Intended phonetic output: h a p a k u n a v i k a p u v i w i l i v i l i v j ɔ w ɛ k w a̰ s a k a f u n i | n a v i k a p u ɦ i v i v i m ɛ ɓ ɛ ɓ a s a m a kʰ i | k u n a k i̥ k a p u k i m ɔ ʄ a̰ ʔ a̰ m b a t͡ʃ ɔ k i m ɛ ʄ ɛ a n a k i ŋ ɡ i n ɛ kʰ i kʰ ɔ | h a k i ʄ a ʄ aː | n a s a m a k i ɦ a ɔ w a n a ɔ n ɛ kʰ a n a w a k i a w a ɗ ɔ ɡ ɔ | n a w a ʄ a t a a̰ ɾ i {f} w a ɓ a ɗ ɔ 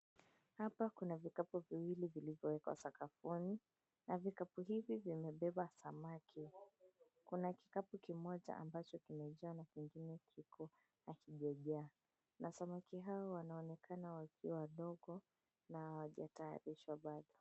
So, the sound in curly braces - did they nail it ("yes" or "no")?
no